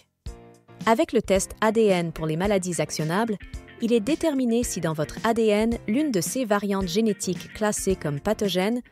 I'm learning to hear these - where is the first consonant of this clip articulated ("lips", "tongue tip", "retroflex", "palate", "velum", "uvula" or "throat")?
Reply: lips